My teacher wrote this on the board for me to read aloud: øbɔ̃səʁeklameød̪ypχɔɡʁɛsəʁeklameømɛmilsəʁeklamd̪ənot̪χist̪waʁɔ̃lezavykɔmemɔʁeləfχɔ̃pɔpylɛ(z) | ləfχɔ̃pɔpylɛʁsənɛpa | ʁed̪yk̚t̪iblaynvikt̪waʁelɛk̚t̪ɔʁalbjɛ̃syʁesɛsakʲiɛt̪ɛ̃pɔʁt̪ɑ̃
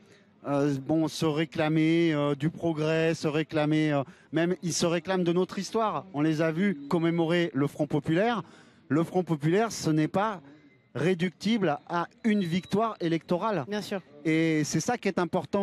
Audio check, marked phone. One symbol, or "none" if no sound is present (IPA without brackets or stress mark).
ʁ